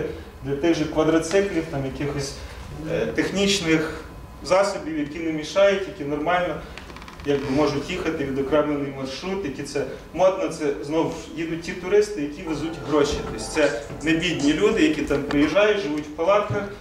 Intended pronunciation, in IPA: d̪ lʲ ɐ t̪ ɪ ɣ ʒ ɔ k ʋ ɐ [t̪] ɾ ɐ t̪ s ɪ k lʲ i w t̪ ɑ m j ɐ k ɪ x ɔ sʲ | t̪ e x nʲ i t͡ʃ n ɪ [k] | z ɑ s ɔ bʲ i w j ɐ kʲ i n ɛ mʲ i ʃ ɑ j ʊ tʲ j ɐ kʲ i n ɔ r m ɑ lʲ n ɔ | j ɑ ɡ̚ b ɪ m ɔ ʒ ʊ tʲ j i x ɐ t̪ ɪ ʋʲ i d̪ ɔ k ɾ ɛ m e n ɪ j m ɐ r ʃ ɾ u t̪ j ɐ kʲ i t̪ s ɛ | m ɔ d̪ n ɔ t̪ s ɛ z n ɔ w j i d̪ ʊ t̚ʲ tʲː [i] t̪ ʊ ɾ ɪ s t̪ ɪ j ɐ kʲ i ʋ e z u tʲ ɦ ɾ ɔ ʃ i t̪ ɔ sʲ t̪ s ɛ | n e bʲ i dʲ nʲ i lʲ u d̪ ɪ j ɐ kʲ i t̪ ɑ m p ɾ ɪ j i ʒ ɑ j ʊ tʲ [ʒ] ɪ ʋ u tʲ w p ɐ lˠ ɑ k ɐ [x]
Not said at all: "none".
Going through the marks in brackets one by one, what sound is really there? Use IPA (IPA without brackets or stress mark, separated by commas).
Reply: d̪, x, i, ʒ, x